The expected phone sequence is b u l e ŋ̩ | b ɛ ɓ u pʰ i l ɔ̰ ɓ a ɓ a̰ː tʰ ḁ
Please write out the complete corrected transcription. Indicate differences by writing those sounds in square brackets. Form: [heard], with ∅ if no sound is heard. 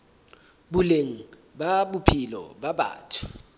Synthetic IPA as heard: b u l e ŋ̩ | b [a] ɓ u pʰ i l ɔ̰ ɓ a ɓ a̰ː tʰ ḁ